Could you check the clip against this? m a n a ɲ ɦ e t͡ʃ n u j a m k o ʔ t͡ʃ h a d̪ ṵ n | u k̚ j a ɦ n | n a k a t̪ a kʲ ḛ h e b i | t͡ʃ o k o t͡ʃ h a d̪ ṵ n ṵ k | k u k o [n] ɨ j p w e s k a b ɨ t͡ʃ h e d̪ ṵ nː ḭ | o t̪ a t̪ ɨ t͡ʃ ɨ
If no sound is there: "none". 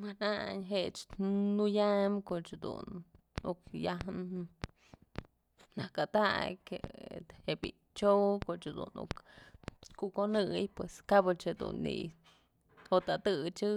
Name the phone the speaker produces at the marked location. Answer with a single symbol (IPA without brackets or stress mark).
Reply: n